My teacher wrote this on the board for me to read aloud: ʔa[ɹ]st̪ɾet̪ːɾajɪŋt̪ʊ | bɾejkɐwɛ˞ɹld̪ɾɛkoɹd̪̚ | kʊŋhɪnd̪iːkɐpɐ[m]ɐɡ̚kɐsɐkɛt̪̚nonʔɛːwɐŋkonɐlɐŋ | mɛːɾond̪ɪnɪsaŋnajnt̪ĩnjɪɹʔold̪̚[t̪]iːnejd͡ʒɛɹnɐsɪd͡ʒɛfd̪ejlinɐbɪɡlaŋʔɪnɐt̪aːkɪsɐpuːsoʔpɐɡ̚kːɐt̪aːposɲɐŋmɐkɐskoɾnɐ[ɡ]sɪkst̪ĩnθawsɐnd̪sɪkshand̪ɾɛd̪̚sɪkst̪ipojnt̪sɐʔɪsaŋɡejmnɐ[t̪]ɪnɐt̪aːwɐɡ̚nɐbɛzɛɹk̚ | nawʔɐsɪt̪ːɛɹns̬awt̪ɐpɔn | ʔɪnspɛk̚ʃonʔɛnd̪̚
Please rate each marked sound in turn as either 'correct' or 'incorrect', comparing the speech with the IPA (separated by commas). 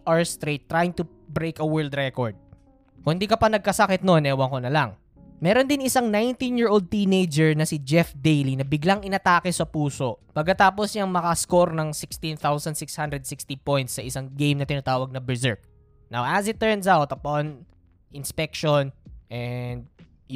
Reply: correct, incorrect, correct, incorrect, correct